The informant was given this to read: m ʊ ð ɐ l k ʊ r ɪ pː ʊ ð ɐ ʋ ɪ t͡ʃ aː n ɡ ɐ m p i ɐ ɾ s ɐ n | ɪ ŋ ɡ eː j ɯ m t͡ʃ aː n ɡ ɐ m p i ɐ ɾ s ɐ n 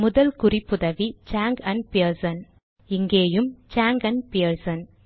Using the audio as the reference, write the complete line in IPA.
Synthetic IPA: m ʊ ð ɐ l k ʊ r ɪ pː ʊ ð ɐ ʋ i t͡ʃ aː ŋ ɡ ɐ n p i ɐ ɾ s ɐ n | ɪ ŋ ɡ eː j ɯ m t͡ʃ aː ŋ ɡ ɐ n p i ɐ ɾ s ɐ n